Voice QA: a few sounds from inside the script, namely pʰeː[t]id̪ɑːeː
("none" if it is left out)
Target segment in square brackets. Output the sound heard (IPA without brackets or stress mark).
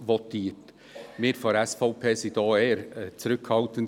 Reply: s